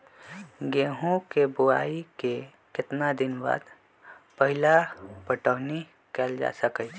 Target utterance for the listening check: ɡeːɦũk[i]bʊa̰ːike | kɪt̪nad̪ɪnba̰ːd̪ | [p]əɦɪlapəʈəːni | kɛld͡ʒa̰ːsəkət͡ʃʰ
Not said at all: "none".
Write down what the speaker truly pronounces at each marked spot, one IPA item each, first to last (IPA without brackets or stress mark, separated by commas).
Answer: e, p